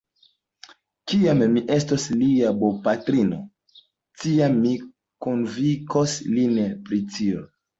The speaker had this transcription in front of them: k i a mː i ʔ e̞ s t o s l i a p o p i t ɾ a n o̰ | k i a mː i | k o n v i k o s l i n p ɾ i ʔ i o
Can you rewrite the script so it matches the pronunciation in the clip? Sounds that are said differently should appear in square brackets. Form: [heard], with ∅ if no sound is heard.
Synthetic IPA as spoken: k i a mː i ʔ e̞ s t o s l i a [b] o p [a] t ɾ [i] n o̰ | [t] i a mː i | k o n v i k o s l i n p ɾ i [t] i o